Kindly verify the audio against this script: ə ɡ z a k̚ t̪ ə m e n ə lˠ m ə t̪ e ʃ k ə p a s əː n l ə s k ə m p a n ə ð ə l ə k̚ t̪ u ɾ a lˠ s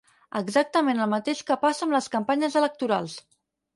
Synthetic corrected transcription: ə ɡ z a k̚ t̪ ə m e n ə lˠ m ə t̪ e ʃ k ə p a s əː m l ə s k ə m p a ɲ ə z ə l ə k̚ t̪ u ɾ a lˠ s

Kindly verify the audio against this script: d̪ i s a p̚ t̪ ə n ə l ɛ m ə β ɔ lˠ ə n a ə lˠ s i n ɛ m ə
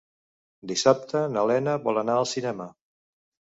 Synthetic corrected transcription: d̪ i s a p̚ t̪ ə n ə l ɛ n ə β ɔ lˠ ə n a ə lˠ s i n ɛ m ə

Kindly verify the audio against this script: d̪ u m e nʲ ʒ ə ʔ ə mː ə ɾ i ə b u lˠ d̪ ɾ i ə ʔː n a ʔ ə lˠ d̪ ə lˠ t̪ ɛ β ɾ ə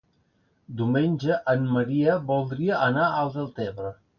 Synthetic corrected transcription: d̪ u m e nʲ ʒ ə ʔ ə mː ə ɾ i ə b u lˠ d̪ ɾ i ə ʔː n a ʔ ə lˠ d̪ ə lˠ t̪ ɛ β ɾ ə

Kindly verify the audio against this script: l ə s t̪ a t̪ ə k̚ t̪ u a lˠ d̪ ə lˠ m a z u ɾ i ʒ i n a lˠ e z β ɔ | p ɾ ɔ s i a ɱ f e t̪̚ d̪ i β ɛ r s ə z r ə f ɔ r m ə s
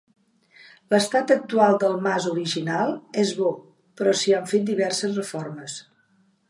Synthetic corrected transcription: l ə s t̪ a t̪ ə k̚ t̪ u a lˠ d̪ ə lˠ m a z u ɾ i ʒ i n a lˠ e z β ɔ | p ɾ ɔ s i a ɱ f e t̪̚ d̪ i β ɛ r s ə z r ə f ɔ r m ə s

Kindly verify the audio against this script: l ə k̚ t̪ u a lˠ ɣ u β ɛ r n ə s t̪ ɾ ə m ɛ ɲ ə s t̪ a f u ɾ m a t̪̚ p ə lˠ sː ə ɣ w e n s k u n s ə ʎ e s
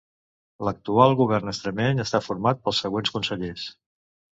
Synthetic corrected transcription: l ə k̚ t̪ u a lˠ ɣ u β ɛ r n ə s t̪ ɾ ə m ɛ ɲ ə s t̪ a f u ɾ m a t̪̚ p ə lˠ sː ə ɣ w e n s k u n s ə ʎ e s

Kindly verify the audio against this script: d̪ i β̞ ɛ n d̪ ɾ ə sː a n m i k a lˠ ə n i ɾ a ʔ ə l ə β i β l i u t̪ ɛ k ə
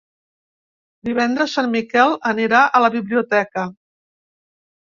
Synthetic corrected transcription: d̪ i β̞ ɛ n d̪ ɾ ə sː a n m i k ɛ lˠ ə n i ɾ a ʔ ə l ə β i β l i u t̪ ɛ k ə

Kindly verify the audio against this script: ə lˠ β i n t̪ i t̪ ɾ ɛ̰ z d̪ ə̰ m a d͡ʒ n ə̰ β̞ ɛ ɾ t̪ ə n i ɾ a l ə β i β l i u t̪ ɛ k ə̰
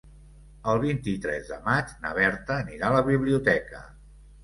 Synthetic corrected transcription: ə lˠ β i n t̪ i t̪ ɾ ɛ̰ z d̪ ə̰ m a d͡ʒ n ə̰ β̞ ɛ ɾ t̪ ə n i ɾ a l ə β i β l i u t̪ ɛ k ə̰

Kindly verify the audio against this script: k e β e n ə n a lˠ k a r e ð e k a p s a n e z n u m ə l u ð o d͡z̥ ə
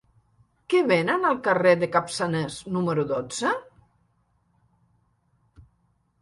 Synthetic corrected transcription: k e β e n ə n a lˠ k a r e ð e k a p s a n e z n u m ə ɾ u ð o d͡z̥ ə

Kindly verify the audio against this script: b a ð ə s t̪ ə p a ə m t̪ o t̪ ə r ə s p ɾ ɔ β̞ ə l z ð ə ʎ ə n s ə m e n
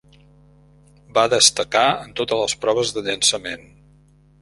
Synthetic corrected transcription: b a ð ə s t̪ ə k a ə n t̪ o t̪ ə l ə s p ɾ ɔ β̞ ə z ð ə ʎ ə n s ə m e n

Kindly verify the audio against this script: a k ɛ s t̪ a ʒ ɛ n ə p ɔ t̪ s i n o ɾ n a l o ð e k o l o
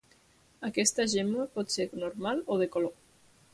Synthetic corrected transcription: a k ɛ s t̪ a ʒ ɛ m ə p ɔ t̪ s e n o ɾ m a l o ð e k o l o

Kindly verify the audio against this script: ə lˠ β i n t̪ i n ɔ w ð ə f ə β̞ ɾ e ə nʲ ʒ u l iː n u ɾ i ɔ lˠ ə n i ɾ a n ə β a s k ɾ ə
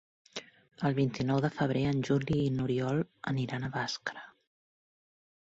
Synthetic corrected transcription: ə lˠ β i n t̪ i n ɔ w ð ə f ə β̞ ɾ e ə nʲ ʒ u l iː n u ɾ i ɔ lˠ ə n i ɾ a n ə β a s k ɾ ə

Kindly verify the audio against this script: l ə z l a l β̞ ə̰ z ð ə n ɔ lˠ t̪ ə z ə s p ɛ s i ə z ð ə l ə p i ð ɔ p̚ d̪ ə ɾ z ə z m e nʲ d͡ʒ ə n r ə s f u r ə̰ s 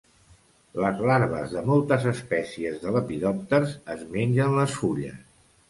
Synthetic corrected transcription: l ə z l a ɾ β̞ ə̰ z ð ə m ɔ lˠ t̪ ə z ə s p ɛ s i ə z ð ə l ə p i ð ɔ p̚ t̪ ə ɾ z ə z m e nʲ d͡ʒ ə n l ə s f u ʎ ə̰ s

